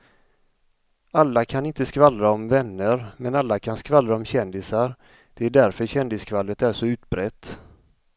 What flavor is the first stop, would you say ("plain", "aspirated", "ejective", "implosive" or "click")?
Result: aspirated